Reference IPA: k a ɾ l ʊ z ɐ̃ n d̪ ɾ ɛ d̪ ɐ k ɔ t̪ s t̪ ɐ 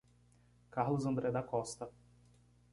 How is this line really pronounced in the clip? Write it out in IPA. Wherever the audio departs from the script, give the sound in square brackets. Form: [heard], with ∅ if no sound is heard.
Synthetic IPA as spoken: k a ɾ l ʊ z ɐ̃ n d̪ ɾ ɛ d̪ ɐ k ɔ [∅] s t̪ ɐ